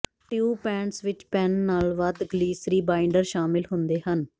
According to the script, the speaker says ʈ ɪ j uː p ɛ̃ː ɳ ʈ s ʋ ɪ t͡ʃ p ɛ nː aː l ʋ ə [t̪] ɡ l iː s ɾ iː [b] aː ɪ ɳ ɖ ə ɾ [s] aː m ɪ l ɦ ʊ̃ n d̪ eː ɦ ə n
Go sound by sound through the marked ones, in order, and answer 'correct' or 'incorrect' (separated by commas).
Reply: incorrect, correct, incorrect